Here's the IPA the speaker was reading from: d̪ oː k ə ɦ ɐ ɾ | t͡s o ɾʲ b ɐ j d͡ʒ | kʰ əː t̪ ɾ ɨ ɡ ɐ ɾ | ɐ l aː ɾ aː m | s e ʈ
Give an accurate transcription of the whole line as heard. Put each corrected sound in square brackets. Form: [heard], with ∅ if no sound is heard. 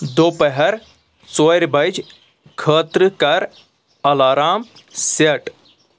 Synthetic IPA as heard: d̪ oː [p] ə ɦ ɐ ɾ | t͡s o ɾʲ b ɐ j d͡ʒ | kʰ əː t̪ ɾ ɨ [k] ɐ ɾ | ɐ l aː ɾ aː m | s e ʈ